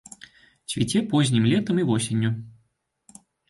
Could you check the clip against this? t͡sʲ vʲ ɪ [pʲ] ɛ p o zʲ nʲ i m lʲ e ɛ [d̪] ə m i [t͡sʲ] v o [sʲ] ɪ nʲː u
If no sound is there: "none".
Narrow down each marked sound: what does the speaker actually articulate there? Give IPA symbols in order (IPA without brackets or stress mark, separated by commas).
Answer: tʲ, t̪, none, sʲ